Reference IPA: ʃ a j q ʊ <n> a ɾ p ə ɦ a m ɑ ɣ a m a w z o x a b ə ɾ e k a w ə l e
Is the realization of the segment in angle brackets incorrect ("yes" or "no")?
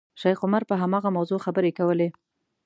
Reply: yes